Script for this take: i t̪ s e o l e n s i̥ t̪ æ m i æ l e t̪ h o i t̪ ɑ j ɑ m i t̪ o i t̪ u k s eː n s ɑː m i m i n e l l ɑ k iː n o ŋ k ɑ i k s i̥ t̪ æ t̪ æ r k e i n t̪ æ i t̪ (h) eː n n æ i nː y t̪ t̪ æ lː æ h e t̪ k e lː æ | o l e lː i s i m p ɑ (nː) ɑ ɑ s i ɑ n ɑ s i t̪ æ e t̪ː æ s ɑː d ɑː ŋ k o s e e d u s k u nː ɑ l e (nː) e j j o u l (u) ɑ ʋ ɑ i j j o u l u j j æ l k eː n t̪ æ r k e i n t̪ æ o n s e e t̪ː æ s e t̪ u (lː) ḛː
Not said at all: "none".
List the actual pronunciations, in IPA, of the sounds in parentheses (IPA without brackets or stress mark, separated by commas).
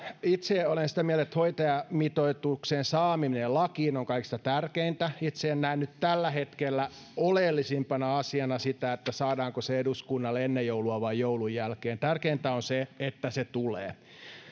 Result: s, n, nː, u, l